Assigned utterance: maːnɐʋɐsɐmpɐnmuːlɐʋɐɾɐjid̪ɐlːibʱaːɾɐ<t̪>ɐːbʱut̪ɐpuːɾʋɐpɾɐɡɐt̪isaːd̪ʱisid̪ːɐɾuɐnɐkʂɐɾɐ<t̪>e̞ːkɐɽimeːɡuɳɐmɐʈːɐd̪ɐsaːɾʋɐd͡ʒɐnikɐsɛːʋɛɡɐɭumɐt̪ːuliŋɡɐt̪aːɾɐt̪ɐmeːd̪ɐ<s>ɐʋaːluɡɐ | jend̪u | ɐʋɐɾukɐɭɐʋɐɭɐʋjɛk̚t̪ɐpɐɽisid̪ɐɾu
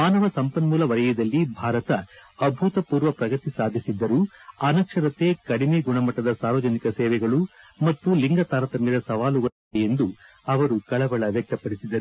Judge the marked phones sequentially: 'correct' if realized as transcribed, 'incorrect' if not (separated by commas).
correct, correct, correct